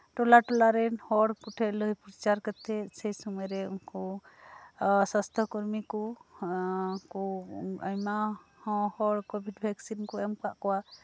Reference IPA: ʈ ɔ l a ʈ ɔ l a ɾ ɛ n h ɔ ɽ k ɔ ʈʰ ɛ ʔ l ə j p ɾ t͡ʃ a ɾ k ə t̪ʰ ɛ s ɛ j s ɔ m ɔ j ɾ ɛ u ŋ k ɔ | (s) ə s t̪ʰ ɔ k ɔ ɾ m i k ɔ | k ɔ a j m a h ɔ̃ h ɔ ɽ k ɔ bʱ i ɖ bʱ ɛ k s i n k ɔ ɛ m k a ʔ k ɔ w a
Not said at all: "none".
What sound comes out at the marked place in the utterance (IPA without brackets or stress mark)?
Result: s